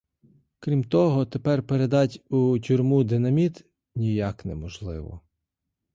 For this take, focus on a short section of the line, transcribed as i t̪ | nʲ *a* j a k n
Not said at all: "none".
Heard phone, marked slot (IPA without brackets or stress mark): i